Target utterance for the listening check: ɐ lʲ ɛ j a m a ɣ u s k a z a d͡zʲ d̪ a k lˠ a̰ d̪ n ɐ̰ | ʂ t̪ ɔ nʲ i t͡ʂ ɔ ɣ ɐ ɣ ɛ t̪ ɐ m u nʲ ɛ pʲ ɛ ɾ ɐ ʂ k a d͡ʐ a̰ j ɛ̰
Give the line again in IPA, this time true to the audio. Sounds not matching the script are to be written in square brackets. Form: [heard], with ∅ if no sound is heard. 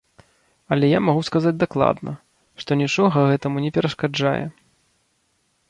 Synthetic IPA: ɐ lʲ ɛ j a m a ɣ u s k a z a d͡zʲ d̪ a k lˠ a̰ d̪ n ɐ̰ | ʂ t̪ ɔ nʲ i t͡ʂ ɔ ɣ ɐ ɣ ɛ t̪ ɐ m u nʲ ɛ pʲ ɛ ɾ ɐ ʂ k a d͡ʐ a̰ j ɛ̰